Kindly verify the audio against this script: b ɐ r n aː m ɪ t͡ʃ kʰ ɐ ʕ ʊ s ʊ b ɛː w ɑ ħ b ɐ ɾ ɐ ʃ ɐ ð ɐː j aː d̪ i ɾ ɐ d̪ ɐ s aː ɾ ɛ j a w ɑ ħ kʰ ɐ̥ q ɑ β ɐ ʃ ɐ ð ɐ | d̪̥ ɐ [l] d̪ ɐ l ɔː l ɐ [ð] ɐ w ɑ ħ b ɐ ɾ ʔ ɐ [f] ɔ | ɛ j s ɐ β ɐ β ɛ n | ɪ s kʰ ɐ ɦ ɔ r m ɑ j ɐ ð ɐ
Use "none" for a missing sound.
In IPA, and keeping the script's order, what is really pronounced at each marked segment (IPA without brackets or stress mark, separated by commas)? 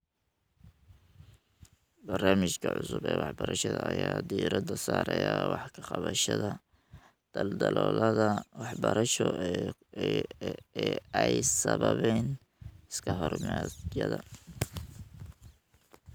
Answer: l, ð, ʃ